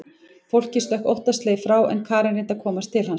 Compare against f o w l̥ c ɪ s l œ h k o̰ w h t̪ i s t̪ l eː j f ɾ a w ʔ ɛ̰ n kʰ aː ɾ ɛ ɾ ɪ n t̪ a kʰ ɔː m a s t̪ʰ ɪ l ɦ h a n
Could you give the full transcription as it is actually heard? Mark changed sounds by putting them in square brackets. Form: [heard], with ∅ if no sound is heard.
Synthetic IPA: f o w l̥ c ɪ s l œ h k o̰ w h t̪ [a] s t̪ l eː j f ɾ a w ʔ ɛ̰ n kʰ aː ɾ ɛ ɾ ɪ n t̪ a kʰ ɔː m a s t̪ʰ ɪ l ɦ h a n